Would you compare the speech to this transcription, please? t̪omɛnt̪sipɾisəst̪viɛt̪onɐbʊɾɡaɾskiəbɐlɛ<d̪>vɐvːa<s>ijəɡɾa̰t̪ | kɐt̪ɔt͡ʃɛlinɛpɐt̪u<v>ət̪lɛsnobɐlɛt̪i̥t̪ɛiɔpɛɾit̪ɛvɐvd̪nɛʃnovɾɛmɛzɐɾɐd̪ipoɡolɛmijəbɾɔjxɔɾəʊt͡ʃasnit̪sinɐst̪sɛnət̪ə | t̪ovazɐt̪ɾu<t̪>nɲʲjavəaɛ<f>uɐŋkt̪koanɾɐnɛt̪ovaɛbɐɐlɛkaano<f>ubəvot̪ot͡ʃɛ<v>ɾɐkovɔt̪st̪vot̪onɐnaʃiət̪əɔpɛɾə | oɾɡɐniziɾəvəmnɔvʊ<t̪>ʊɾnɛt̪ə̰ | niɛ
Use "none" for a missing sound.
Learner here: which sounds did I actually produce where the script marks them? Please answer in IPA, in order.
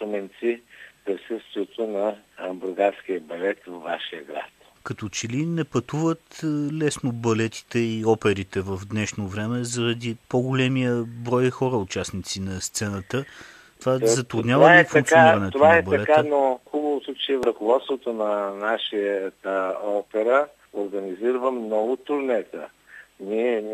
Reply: t̪, ʃ, v, d̪, f, x, v, t̪

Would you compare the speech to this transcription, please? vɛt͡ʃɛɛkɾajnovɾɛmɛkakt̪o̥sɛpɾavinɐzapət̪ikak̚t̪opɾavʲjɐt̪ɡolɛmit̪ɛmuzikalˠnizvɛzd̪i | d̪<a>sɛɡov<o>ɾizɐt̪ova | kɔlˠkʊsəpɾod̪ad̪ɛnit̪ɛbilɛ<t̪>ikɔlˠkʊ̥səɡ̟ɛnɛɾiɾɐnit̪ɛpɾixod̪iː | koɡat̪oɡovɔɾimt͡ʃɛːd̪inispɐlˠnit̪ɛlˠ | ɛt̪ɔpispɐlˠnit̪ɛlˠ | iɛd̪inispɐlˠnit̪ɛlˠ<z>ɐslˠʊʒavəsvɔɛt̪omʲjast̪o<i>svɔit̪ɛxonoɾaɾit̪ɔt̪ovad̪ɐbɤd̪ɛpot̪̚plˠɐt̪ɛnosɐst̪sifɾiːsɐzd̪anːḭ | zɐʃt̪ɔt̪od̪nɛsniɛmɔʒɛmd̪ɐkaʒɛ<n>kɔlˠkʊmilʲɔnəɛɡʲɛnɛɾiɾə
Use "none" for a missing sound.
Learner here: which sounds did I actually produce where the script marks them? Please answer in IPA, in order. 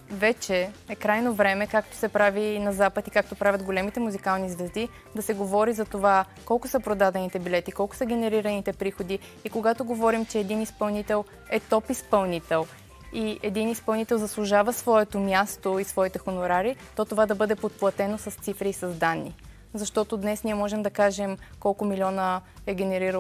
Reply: ɐ, ɔ, t̪, z, i, m

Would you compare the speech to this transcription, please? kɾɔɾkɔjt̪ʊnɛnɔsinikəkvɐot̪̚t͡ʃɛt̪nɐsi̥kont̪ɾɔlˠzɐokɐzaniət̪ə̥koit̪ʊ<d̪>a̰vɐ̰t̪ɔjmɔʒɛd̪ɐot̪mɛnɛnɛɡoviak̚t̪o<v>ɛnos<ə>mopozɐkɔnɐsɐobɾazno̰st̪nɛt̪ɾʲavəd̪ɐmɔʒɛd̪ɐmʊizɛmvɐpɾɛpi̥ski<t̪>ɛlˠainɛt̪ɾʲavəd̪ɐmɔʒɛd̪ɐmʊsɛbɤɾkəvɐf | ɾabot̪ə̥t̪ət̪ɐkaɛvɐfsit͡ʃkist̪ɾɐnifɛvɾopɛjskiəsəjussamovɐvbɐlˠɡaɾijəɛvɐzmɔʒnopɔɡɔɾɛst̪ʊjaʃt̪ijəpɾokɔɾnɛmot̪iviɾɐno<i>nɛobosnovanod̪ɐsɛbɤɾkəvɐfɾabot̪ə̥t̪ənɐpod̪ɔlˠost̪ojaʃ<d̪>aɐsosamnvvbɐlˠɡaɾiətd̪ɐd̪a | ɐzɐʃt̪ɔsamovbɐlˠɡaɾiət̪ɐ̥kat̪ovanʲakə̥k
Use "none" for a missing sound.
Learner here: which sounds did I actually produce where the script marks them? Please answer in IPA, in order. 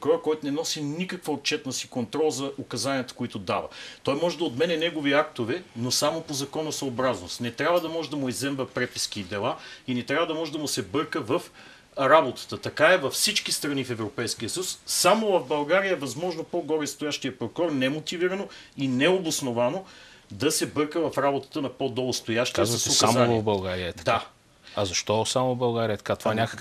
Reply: d̪, v, a, d̪, i, t̪

